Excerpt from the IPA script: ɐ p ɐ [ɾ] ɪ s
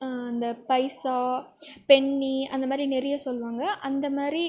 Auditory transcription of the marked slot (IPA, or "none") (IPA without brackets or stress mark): none